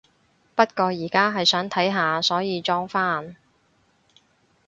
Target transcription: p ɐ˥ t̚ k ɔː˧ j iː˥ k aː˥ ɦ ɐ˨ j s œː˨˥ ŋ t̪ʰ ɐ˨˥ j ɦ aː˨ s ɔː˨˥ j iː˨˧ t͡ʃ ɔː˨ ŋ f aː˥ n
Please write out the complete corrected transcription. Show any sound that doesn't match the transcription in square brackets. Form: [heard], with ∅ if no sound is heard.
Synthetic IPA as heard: p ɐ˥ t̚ k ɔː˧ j [iː˨˩] k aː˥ ɦ ɐ˨ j s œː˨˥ ŋ t̪ʰ ɐ˨˥ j ɦ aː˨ s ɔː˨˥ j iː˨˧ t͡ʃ [ɔː˥] ŋ f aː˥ n